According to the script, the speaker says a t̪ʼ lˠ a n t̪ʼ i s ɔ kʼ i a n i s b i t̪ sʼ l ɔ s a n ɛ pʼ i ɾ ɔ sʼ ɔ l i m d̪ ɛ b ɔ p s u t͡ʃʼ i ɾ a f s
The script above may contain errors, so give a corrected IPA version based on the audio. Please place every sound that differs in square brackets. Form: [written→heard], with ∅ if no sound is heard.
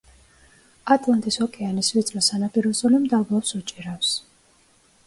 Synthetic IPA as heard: a t̪ʼ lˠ a n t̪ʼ i s ɔ kʼ [i→ɛ] a n i s [b→v] i t̪ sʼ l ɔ s a n [ɛ→a] pʼ i ɾ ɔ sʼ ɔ l i m d̪ [ɛ→a] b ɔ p s u t͡ʃʼ i ɾ a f s